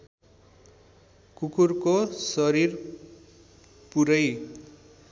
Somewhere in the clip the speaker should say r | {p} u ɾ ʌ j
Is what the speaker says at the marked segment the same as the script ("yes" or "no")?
yes